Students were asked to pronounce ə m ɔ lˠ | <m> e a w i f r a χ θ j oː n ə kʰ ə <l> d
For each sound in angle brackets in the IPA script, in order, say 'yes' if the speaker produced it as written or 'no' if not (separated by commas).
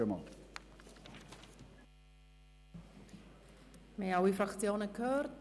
yes, no